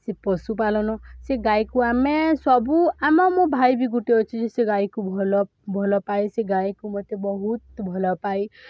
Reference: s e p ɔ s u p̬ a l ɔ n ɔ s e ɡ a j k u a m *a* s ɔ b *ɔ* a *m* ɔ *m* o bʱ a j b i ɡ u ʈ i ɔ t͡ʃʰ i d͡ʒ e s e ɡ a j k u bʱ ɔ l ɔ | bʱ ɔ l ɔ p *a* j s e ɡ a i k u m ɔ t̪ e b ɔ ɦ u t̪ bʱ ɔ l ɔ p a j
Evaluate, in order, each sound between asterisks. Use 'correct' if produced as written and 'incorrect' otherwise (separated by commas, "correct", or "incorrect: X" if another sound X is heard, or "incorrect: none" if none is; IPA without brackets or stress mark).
incorrect: e, incorrect: u, correct, correct, correct